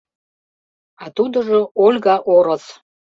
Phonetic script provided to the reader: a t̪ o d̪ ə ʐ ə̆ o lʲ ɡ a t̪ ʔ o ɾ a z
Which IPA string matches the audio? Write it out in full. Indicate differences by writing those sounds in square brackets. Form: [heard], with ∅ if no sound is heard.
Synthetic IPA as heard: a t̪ [u] d̪ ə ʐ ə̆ o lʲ ɡ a [∅] ʔ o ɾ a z